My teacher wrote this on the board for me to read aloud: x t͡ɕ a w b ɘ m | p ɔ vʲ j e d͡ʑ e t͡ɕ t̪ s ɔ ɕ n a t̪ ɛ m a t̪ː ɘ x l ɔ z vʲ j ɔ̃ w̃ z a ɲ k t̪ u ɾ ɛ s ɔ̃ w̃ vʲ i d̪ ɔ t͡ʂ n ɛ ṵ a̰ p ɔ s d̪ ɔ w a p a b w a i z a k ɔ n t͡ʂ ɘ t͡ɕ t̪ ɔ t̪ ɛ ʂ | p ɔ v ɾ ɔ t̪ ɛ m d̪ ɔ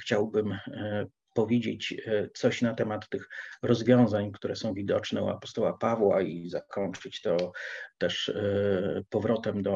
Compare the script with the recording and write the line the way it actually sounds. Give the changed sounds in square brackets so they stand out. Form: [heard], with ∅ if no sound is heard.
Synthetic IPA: x t͡ɕ a w b ɘ m | p ɔ vʲ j e d͡ʑ e t͡ɕ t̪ s ɔ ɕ n a t̪ ɛ m a t̪ː ɘ x [ɾ] ɔ z vʲ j ɔ̃ w̃ z a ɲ k t̪ u ɾ ɛ s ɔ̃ w̃ vʲ i d̪ ɔ t͡ʂ n ɛ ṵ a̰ p ɔ s [t̪] ɔ w a p a [v] w a i z a k ɔ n t͡ʂ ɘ t͡ɕ t̪ ɔ t̪ ɛ ʂ | p ɔ v ɾ ɔ t̪ ɛ m d̪ ɔ